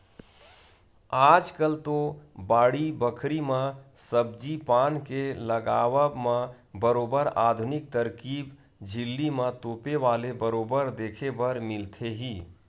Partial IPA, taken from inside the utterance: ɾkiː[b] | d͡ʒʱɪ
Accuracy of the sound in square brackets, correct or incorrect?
correct